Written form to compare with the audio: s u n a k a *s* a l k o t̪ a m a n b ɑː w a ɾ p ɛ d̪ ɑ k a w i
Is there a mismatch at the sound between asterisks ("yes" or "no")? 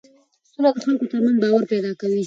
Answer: yes